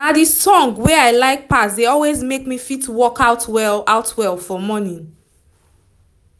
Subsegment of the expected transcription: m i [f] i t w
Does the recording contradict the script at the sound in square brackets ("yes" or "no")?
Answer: no